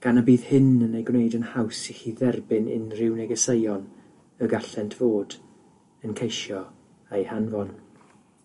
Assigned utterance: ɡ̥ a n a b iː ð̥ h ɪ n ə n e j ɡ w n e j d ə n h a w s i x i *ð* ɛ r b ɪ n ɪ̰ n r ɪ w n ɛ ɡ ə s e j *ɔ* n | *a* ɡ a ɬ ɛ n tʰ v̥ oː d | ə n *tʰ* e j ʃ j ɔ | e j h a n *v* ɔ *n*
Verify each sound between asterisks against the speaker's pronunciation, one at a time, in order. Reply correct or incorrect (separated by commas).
correct, correct, incorrect, incorrect, correct, correct